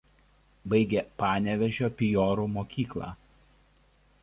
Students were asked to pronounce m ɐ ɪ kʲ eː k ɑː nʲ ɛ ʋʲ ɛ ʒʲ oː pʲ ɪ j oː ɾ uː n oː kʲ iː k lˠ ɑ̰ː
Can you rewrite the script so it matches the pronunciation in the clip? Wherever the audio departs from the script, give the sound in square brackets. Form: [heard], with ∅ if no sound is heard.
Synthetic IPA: [b] ɐ ɪ [ɡʲ] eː [p] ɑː nʲ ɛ ʋʲ ɛ ʒʲ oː pʲ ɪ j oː ɾ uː [m] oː kʲ iː k lˠ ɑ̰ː